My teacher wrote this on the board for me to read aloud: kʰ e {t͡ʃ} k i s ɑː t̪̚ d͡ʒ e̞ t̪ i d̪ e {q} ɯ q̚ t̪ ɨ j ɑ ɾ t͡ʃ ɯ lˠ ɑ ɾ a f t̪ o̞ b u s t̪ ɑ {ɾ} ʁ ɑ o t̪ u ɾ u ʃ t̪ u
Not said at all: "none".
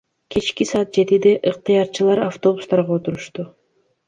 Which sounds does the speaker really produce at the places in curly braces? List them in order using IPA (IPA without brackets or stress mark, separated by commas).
t͡ʃ, ʔ, ɾ